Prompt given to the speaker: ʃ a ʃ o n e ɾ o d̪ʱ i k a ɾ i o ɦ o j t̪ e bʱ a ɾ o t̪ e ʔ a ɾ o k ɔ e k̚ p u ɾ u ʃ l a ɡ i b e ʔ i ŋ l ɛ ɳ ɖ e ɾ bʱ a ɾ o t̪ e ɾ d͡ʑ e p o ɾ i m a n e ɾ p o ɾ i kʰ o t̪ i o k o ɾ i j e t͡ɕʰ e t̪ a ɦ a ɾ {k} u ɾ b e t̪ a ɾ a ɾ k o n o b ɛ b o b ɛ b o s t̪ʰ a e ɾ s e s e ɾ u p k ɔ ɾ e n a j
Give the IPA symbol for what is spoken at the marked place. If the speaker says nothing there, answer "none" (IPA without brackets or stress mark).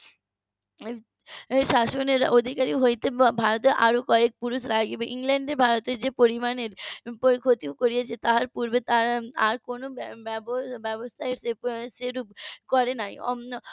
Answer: p